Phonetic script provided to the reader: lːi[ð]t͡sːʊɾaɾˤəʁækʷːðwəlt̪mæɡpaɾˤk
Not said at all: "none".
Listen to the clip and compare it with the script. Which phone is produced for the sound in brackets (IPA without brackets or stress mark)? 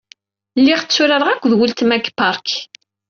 ʁ